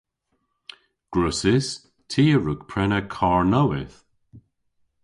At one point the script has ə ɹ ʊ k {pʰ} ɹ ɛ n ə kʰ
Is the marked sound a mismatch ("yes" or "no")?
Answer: no